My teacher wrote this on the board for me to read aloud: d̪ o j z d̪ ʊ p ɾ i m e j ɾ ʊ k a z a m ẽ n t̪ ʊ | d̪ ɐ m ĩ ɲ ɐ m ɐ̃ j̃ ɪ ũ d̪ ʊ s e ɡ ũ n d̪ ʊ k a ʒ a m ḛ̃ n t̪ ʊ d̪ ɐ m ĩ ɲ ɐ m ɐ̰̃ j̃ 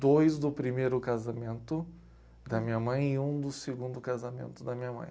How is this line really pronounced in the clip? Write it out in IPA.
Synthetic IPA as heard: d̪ o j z d̪ ʊ p ɾ i m e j ɾ ʊ k a z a m ẽ n t̪ ʊ | d̪ ɐ m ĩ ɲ ɐ m ɐ̃ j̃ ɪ ũ d̪ ʊ s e ɡ ũ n d̪ ʊ k a z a m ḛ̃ n t̪ ʊ d̪ ɐ m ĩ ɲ ɐ m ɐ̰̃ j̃